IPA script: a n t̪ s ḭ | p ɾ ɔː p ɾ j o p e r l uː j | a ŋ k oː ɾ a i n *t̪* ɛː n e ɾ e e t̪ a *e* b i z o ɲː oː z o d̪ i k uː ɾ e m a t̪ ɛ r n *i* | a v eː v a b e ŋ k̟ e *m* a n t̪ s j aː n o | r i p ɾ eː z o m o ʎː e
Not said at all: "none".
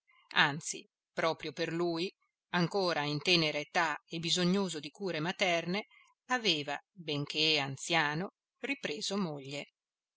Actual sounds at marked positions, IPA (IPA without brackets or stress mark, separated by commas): t̪, e, e, none